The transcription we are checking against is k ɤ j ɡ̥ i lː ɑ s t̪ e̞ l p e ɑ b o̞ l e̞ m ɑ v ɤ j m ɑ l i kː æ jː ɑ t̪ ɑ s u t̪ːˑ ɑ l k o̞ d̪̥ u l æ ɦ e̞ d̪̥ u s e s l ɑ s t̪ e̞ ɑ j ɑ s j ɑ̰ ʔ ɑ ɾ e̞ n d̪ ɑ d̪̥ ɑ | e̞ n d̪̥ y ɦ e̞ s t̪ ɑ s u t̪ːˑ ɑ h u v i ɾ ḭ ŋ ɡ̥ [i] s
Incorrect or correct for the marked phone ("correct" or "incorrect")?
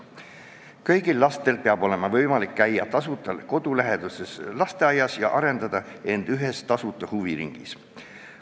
correct